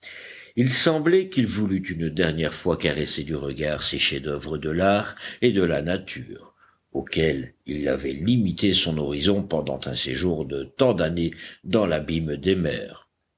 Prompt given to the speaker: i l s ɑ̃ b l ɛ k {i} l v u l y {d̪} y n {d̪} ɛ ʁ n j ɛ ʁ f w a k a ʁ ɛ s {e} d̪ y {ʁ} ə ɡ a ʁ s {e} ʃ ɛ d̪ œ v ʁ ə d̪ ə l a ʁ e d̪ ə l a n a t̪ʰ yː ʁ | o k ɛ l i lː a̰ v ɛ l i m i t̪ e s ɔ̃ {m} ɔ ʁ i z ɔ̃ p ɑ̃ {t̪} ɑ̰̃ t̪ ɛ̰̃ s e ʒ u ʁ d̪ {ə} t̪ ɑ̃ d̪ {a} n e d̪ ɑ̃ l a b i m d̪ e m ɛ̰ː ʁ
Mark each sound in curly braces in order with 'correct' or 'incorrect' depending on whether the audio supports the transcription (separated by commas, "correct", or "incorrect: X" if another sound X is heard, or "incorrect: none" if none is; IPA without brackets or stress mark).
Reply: correct, incorrect: t̪, correct, correct, correct, correct, incorrect: n, incorrect: d̪, correct, correct